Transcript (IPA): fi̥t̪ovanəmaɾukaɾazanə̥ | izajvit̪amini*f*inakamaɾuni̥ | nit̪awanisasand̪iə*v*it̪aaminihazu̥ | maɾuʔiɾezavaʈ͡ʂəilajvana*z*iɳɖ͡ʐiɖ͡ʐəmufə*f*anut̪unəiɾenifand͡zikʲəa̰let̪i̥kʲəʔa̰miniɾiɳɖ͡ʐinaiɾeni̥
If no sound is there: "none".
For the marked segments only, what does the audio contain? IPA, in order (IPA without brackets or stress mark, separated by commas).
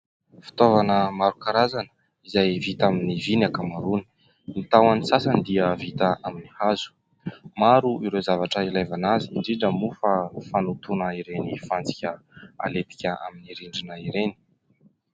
v, v, z, f